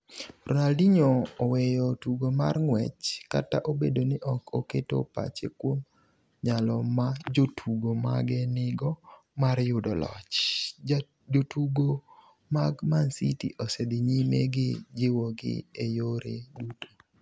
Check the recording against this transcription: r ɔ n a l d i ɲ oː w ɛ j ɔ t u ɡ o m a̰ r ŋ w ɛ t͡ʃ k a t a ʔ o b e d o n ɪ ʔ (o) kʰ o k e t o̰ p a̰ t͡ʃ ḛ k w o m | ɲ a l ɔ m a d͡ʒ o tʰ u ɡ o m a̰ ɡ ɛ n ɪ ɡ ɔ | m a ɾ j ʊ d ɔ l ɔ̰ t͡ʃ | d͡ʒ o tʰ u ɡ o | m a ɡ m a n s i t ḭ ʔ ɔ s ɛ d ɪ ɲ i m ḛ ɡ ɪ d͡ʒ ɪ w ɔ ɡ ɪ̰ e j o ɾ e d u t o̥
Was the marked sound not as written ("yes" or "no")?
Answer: yes